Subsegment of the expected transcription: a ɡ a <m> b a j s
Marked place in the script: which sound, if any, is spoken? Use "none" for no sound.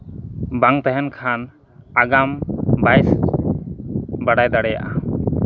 m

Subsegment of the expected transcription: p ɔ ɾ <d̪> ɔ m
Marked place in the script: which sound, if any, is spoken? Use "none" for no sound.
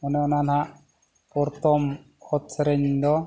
t̪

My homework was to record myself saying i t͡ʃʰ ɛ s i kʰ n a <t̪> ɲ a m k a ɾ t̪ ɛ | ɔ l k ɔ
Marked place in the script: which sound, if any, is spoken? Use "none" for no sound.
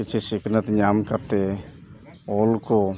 t̪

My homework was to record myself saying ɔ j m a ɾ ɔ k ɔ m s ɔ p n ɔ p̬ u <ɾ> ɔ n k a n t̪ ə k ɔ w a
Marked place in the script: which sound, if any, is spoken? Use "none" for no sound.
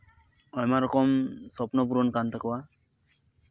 ɾ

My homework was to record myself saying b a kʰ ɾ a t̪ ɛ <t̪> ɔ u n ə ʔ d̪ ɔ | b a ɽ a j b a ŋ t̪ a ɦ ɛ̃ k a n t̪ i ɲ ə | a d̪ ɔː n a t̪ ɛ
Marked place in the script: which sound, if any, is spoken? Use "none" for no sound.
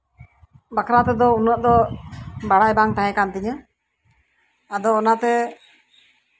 d̪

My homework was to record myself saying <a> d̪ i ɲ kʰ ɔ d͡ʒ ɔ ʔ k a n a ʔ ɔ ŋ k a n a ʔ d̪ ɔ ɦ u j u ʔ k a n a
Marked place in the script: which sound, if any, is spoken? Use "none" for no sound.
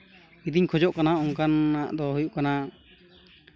i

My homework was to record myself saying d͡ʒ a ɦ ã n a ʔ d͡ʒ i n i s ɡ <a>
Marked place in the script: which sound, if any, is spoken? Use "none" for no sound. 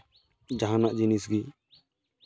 i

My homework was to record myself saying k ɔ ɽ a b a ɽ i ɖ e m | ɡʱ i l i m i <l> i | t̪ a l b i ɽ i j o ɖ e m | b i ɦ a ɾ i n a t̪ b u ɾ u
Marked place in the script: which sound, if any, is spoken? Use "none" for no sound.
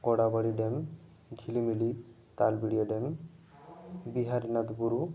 l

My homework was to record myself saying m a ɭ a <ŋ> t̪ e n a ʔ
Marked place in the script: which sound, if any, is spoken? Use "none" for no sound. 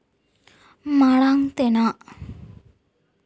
ŋ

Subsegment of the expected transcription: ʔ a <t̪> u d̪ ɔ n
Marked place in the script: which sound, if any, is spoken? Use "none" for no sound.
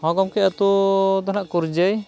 t̪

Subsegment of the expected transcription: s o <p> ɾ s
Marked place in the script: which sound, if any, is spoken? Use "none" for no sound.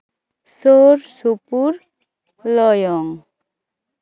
none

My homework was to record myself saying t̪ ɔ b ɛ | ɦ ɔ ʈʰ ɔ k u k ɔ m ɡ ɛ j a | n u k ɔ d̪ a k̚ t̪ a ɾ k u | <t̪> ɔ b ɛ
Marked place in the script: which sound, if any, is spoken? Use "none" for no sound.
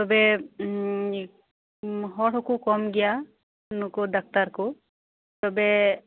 t̪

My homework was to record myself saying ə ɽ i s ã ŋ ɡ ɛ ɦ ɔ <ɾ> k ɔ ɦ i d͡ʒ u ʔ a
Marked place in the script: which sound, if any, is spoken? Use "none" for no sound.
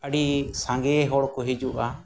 ɽ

